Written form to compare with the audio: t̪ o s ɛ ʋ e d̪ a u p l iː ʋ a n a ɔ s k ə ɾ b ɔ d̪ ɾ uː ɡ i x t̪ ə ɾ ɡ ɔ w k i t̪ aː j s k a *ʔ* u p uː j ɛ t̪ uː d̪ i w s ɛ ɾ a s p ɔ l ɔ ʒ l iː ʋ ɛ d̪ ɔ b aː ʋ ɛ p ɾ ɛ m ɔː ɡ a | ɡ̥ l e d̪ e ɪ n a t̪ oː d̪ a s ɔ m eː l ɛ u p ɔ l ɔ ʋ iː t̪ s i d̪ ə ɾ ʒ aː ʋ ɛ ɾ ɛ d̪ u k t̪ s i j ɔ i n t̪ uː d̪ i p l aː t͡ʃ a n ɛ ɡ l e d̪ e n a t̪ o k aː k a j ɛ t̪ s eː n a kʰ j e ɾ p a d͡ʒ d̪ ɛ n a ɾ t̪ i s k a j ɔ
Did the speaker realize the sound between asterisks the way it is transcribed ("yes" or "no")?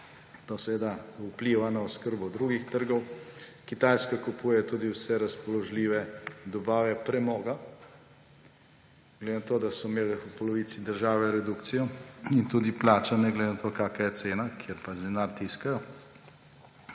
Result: no